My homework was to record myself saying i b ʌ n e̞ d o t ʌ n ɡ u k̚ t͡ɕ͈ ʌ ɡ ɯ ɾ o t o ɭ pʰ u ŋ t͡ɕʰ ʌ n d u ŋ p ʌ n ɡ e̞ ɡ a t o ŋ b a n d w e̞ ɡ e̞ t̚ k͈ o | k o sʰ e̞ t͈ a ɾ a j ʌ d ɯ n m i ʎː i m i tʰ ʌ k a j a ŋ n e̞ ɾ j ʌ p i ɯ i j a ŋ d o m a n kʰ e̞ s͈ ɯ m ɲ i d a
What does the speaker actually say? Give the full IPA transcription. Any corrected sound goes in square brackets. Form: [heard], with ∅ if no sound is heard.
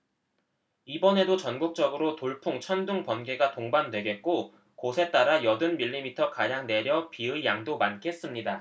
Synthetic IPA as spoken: i b ʌ n e̞ d o [t͡ɕ] ʌ n ɡ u k̚ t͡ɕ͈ ʌ ɡ ɯ ɾ o t o ɭ pʰ u ŋ t͡ɕʰ ʌ n d u ŋ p ʌ n ɡ e̞ ɡ a t o ŋ b a n d w e̞ ɡ e̞ t̚ k͈ o | k o sʰ e̞ t͈ a ɾ a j ʌ d ɯ n m i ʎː i m i tʰ ʌ k a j a ŋ n e̞ ɾ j ʌ p i ɯ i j a ŋ d o m a n kʰ e̞ s͈ ɯ m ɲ i d a